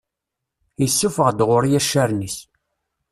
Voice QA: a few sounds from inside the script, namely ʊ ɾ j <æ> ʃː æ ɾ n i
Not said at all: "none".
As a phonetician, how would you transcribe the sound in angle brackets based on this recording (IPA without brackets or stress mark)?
æ